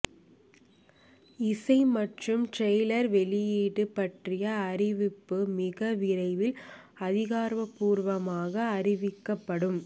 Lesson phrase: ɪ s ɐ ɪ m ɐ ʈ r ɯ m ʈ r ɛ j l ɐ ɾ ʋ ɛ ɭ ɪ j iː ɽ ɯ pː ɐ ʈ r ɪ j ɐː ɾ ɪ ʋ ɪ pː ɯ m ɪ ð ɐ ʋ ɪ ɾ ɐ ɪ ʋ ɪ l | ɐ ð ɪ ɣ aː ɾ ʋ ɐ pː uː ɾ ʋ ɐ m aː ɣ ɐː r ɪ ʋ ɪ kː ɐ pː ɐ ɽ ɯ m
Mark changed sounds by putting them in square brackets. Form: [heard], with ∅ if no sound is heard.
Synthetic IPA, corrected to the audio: ɪ s ɐ ɪ m ɐ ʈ r ɯ m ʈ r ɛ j l ɐ ɾ ʋ ɛ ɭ ɪ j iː ɽ ɯ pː ɐ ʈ r ɪ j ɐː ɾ ɪ ʋ ɪ pː ɯ m ɪ [ɣ] ɐ ʋ ɪ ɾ ɐ ɪ ʋ ɪ l | ɐ ð ɪ ɣ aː ɾ ʋ ɐ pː uː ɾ ʋ ɐ m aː ɣ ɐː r ɪ ʋ ɪ kː ɐ pː ɐ ɽ ɯ m